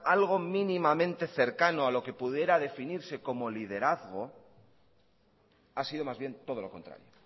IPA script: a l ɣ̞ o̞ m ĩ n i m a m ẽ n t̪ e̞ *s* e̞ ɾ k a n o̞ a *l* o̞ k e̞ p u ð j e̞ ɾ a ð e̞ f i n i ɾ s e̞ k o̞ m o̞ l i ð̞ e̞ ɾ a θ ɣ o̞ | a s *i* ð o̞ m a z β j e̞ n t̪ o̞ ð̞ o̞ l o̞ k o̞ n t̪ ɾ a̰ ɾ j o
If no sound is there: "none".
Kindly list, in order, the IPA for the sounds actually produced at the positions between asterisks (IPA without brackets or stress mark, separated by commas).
θ, l, i